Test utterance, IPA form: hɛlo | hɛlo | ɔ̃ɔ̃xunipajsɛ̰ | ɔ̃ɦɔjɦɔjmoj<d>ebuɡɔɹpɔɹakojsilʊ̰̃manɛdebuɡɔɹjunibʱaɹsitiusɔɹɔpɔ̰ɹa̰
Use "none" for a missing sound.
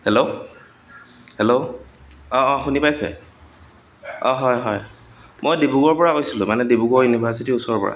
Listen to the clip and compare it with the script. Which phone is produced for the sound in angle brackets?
d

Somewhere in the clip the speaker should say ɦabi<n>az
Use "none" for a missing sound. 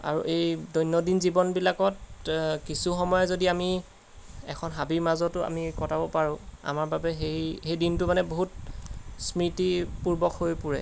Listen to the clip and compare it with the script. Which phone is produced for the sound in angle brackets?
m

